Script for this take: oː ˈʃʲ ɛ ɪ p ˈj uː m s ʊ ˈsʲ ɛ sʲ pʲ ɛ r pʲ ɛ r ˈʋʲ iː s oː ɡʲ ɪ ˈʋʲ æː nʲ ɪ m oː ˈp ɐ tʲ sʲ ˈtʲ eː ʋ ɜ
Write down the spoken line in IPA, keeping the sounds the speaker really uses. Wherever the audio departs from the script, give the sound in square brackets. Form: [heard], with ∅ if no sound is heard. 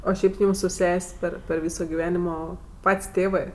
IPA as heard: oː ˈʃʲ ɛ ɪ p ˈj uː m s ʊ ˈsʲ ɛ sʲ pʲ ɛ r pʲ ɛ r ˈʋʲ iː s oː ɡʲ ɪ ˈʋʲ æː nʲ ɪ m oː ˈp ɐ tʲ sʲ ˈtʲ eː ʋ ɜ